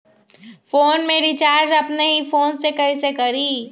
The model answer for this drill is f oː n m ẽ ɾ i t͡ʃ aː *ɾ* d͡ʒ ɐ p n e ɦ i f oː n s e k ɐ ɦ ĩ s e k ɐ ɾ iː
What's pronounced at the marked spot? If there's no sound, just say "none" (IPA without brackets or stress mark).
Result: ɾ